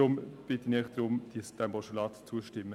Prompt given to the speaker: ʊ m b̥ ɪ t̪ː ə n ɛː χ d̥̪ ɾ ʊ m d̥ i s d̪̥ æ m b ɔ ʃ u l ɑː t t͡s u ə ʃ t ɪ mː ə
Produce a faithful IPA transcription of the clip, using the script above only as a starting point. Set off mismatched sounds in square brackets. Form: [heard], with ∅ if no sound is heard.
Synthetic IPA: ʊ m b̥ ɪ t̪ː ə n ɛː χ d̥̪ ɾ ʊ m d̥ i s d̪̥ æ m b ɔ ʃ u l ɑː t t͡s u ə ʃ t ɪ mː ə